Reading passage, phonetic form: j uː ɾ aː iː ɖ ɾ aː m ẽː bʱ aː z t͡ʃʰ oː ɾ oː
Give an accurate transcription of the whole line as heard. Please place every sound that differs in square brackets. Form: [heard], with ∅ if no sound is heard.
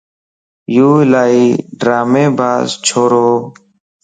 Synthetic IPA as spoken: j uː [l] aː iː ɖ ɾ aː m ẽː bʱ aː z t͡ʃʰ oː ɾ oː